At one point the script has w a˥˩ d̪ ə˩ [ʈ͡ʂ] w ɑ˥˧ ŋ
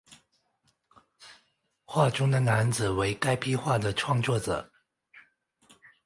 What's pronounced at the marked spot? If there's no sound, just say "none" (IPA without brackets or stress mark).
ʈ͡ʂʰ